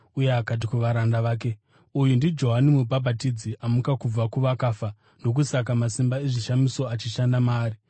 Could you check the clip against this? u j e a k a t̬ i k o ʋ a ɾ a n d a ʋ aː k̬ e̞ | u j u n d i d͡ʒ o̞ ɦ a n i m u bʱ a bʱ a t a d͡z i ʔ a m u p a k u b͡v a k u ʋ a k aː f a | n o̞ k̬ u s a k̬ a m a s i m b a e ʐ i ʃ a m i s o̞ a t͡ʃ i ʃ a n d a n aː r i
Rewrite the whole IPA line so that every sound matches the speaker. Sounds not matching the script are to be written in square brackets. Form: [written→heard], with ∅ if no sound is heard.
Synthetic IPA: u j e a k a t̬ i k [o→u] ʋ a ɾ a n d a ʋ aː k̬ e̞ | u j u n d i d͡ʒ o̞ ɦ a n i m u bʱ a bʱ a t [a→i] d͡z i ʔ a m u [p→k] a k u b͡v a k u ʋ a k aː f a | n o̞ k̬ u s a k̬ a m a s i m b a e ʐ i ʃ a m i s o̞ a t͡ʃ i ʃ a n d a [n→m] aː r i